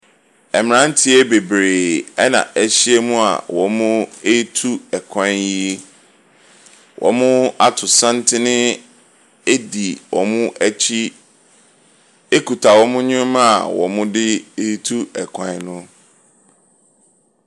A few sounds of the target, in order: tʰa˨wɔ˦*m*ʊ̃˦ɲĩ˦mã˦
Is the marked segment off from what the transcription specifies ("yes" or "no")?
no